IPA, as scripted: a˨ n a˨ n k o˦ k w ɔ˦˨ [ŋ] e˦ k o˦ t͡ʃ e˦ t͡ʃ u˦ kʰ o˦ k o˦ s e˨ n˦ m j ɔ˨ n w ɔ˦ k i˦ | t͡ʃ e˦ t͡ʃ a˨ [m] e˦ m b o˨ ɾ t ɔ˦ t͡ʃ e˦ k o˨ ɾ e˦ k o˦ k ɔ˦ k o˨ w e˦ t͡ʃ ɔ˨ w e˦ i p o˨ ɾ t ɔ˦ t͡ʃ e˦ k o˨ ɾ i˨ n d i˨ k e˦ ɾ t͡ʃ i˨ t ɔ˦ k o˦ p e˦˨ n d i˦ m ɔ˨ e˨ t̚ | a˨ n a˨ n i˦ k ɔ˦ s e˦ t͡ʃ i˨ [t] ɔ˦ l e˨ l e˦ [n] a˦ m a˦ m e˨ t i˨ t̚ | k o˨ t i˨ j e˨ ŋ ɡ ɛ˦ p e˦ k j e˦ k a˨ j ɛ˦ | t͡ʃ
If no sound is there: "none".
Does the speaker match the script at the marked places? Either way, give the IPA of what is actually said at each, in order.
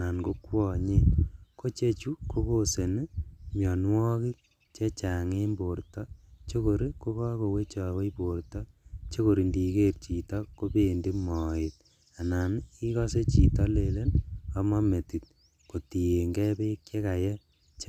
ɲ, ŋ, t, n

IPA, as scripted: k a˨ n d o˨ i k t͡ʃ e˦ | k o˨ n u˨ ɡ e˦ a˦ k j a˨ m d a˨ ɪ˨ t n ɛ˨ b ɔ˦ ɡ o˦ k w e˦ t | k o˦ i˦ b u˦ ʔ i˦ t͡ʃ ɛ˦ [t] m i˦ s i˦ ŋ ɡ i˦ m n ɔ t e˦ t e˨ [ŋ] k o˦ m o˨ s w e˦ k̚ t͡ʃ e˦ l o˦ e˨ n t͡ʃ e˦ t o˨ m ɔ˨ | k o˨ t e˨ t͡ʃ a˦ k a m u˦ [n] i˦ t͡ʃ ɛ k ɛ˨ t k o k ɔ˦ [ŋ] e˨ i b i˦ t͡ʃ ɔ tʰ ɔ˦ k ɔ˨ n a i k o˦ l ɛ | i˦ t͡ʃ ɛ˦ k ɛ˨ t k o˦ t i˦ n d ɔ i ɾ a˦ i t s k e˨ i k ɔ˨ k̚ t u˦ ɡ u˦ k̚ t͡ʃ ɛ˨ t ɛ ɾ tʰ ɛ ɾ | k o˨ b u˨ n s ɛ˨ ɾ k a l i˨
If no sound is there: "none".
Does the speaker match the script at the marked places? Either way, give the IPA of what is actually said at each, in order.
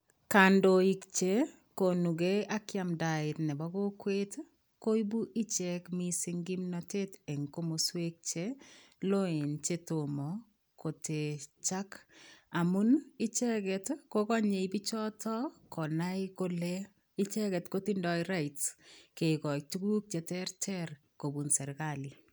k, ŋ, n, ɲ

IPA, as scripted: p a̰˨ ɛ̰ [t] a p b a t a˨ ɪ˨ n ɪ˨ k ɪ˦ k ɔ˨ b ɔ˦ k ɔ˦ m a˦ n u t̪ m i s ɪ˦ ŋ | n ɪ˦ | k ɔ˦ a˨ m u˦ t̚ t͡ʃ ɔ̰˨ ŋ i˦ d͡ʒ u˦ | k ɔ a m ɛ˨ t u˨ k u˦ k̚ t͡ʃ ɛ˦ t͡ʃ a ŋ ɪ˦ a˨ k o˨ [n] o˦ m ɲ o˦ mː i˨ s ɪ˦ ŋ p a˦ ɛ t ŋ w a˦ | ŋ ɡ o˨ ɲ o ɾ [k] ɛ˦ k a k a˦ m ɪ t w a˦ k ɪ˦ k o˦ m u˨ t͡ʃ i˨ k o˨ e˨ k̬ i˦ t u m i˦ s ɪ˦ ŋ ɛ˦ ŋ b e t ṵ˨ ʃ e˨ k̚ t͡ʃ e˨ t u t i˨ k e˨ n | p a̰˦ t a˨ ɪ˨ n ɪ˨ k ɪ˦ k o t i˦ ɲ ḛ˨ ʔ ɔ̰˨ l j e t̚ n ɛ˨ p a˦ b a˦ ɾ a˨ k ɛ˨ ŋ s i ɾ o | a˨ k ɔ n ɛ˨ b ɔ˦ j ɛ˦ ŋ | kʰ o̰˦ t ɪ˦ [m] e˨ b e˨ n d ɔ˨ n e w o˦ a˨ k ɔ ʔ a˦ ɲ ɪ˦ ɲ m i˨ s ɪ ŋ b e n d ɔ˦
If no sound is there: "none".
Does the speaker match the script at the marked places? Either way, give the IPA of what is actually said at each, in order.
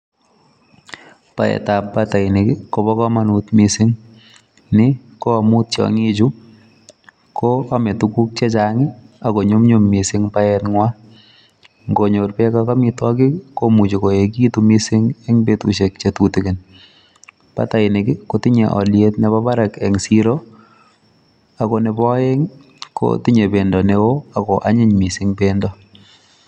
t, ɲ, p, ɲ

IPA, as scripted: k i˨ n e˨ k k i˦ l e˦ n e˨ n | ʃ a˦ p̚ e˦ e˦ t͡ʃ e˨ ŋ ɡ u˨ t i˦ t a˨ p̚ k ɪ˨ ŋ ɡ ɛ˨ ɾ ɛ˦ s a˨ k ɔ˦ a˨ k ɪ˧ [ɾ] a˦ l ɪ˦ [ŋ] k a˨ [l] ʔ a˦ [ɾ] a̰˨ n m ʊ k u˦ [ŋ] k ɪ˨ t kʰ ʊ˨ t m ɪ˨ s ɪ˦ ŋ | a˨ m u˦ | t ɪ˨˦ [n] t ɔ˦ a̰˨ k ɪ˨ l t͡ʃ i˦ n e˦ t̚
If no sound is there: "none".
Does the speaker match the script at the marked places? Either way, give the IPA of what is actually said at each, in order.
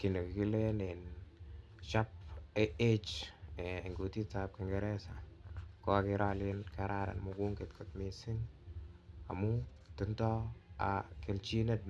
ɾ, n, ɾ, ɾ, ŋ, n

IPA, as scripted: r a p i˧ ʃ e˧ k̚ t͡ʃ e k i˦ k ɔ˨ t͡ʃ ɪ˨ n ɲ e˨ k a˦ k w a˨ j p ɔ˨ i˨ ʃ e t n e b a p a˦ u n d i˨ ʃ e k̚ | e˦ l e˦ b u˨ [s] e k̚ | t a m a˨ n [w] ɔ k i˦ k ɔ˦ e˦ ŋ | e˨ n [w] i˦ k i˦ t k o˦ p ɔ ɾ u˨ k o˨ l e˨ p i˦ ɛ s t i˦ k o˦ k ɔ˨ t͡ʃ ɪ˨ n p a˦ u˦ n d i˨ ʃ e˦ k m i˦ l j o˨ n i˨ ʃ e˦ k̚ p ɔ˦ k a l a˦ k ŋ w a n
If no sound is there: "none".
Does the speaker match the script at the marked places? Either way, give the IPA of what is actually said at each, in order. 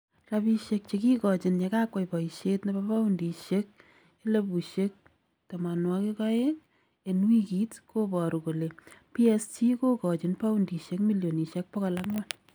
ʃ, w, w

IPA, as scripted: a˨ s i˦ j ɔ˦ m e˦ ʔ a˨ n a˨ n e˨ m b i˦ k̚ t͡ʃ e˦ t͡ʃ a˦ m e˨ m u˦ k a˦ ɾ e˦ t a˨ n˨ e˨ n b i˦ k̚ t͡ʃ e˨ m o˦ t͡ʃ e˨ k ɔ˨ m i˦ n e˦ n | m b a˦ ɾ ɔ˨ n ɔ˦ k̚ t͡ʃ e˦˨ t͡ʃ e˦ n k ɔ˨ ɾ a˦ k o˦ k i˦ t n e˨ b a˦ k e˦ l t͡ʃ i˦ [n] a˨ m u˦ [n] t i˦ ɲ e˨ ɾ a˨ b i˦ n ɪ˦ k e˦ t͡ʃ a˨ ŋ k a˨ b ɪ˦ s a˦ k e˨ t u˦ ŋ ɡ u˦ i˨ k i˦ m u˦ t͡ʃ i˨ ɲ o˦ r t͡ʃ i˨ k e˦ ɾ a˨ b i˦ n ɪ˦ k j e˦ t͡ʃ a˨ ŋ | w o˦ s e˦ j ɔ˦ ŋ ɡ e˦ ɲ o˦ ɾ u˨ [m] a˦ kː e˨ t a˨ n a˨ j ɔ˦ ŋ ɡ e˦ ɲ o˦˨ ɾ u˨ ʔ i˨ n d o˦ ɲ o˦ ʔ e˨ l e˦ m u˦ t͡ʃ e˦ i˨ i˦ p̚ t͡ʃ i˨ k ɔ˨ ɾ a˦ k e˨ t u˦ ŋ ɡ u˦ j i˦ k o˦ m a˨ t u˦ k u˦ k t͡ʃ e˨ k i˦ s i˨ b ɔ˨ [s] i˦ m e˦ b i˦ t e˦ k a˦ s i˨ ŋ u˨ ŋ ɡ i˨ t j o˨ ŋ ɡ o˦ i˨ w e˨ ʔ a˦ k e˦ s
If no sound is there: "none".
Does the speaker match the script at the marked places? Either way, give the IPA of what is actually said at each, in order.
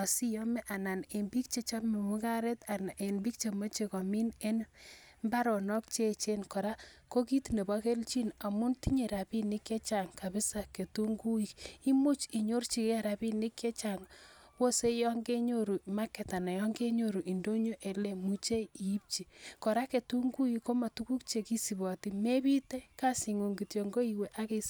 n, n, m, t

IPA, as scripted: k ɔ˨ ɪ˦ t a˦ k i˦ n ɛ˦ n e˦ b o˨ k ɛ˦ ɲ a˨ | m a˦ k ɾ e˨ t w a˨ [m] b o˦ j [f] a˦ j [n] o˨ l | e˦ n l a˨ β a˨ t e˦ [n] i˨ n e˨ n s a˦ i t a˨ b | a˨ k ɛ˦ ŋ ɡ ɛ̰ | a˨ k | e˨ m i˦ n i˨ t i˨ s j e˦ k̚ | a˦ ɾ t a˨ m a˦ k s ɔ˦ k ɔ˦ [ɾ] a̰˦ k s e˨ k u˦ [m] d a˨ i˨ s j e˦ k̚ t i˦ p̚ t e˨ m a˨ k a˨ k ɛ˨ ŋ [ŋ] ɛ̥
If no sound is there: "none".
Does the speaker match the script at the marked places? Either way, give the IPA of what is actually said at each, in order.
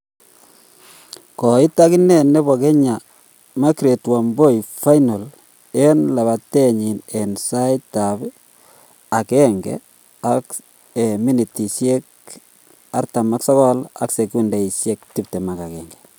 m, f, n, ɲ, l, n, ɡ

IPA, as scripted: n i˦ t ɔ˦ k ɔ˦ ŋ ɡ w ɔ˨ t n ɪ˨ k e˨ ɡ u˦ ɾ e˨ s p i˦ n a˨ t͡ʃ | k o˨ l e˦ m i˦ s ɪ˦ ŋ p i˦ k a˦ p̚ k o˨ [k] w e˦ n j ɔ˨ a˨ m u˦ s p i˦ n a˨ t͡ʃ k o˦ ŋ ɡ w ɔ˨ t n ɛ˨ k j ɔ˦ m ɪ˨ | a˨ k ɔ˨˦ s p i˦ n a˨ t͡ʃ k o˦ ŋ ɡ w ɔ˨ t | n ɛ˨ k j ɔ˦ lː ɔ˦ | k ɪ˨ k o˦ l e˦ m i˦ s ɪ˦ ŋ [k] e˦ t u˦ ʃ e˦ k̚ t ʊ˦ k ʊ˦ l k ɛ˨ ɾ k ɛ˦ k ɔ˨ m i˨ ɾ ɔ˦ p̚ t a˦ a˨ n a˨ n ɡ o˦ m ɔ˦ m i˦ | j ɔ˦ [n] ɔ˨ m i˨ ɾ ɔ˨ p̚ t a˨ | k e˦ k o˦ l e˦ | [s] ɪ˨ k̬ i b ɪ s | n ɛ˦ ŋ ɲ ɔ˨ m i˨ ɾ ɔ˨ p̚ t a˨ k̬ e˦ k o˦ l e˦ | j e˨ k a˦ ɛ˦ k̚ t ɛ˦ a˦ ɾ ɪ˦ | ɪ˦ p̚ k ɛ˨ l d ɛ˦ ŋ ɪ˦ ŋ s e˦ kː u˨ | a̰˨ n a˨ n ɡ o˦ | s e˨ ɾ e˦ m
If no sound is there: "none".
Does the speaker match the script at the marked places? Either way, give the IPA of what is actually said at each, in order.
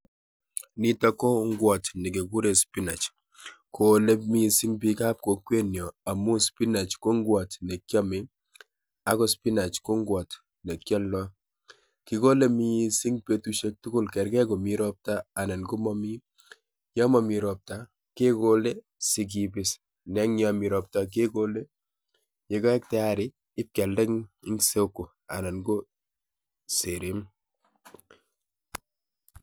k, p, m, s

